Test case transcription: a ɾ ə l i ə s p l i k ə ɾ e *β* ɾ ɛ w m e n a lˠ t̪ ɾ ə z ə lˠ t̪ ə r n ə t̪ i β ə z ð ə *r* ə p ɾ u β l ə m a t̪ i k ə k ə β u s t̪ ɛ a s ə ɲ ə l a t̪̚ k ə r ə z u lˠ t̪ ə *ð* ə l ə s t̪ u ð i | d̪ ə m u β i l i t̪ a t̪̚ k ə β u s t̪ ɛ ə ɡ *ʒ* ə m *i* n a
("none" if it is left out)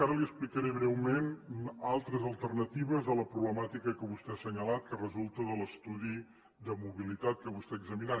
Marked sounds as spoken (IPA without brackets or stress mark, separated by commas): β, l, ð, z, i